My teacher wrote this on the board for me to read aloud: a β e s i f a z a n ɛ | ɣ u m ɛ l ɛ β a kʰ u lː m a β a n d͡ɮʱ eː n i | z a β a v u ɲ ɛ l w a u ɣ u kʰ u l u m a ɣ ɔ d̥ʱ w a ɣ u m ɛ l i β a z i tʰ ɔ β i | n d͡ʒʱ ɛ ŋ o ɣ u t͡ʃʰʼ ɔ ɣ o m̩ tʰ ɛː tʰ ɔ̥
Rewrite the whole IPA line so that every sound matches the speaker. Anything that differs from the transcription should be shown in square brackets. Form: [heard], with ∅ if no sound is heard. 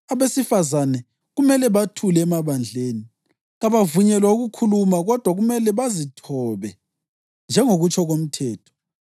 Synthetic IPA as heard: a β e s i f a z a n ɛ | ɣ u m ɛ l ɛ β a [tʰ] u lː m a β a n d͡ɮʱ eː n i | [ɣ] a β a v u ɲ ɛ l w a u ɣ u kʰ u l u m a ɣ ɔ d̥ʱ w a ɣ u m ɛ l [ɛ] β a z i tʰ ɔ β [ɛ] | n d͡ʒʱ ɛ ŋ o ɣ u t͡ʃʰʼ ɔ ɣ o m̩ tʰ ɛː tʰ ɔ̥